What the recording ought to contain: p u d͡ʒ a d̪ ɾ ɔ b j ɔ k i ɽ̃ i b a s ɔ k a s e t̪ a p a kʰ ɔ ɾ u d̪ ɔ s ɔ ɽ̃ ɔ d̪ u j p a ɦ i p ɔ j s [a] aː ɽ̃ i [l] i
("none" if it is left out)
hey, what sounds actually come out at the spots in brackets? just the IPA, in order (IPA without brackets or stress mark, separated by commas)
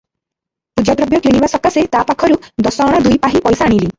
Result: a, l